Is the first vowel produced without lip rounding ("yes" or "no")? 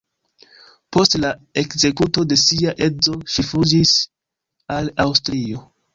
no